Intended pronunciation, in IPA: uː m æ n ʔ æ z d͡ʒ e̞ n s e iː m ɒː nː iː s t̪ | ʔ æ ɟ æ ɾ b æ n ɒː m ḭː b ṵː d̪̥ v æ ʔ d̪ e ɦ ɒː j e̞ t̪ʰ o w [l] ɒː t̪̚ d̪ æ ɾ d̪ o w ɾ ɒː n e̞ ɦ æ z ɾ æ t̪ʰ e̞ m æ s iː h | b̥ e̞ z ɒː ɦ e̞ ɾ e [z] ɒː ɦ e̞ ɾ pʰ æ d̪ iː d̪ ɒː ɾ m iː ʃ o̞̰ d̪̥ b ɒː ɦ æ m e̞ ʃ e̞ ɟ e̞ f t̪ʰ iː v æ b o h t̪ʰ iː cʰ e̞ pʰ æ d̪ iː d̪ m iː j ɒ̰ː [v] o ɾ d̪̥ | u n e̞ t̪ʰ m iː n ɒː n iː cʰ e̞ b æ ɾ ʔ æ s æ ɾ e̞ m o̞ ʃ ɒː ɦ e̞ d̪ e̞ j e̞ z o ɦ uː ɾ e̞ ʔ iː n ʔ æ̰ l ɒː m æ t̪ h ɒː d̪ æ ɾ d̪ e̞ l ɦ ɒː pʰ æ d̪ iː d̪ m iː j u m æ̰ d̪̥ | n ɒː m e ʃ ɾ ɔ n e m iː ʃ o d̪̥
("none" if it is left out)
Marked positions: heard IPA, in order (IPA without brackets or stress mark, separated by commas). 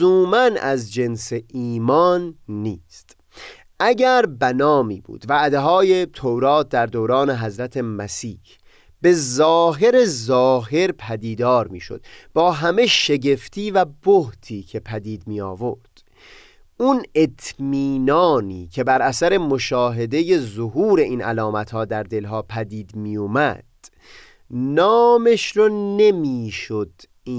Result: ɾ, z, v